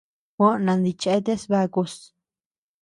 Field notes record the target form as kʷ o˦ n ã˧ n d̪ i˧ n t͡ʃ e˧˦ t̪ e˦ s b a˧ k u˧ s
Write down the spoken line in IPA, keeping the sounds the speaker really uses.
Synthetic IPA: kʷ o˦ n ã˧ n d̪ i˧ t͡ʃ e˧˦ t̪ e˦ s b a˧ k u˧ s